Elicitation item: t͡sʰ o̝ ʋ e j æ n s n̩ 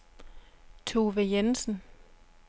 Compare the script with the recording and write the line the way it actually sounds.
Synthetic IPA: t͡sʰ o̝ ʋ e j e n s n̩